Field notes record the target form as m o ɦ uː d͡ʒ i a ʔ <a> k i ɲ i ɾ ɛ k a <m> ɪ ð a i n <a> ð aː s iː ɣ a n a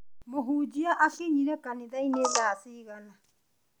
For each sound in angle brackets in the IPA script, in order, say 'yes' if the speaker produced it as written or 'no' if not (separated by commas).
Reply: yes, no, no